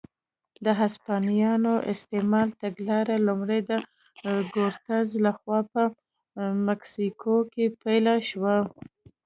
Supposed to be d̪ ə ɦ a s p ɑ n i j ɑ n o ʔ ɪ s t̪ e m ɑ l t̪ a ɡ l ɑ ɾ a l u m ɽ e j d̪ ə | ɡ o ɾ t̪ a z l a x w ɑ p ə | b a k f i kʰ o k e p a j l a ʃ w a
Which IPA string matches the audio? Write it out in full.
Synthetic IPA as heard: d̪ ə ɦ a s p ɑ n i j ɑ n o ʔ ɪ s t̪ e m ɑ l t̪ a ɡ l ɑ ɾ a l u m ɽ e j d̪ ə | ɡ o ɾ t̪ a z l a x w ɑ p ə | m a k s i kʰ o k e p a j l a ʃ w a